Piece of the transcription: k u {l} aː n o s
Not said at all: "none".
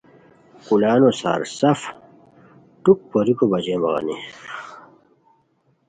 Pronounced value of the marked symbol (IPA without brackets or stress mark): l